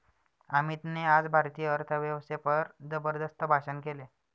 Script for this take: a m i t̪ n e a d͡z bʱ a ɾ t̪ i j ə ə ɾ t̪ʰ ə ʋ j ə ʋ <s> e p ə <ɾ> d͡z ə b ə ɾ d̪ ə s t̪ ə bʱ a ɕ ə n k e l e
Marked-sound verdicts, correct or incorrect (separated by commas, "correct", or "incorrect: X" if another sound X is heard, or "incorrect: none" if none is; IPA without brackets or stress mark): correct, correct